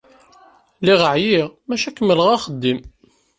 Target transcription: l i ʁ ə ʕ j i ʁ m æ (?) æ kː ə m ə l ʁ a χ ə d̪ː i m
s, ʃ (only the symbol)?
ʃ